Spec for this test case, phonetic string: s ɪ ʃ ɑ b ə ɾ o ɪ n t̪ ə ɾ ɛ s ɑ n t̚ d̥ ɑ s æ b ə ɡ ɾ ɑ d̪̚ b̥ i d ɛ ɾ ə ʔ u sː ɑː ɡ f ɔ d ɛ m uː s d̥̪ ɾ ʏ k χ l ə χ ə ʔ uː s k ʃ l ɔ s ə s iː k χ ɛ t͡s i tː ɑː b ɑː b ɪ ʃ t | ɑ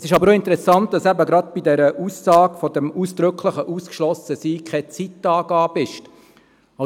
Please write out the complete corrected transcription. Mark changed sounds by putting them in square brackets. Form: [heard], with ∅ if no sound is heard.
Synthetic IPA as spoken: s ɪ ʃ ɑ b ə ɾ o ɪ n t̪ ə ɾ ɛ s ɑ n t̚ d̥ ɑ s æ b ə ɡ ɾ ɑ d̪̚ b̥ i d ɛ ɾ ə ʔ u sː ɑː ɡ f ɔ d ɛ m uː s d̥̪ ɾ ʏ k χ l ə χ ə ʔ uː s k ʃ l ɔ s ə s iː k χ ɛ t͡s i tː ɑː [ɡ] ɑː b ɪ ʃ t | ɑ